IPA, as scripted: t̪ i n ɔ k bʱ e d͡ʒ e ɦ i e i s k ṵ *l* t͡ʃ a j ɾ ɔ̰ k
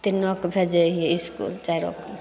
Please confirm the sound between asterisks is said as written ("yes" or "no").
yes